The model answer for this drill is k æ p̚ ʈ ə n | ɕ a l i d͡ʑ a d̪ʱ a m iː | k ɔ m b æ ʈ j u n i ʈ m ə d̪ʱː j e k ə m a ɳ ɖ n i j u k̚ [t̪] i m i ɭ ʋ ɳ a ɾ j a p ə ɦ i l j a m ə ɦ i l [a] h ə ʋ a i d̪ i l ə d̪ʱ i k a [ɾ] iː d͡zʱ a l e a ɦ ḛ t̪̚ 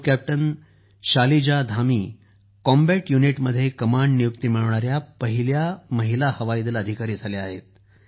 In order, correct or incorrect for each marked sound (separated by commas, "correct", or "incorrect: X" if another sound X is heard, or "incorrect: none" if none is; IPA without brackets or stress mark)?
correct, correct, correct